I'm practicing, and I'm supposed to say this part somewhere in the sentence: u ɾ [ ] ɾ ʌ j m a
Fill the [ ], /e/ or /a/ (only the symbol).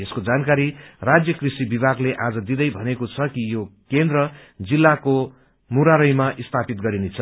a